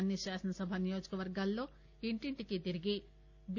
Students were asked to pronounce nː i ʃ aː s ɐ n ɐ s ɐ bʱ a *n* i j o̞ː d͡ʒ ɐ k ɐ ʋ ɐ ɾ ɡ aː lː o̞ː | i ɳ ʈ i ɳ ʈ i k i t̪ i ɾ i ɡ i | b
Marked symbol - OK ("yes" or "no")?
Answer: yes